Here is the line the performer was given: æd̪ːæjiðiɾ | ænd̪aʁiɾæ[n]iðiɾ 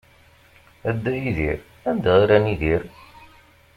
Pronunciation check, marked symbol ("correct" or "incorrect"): correct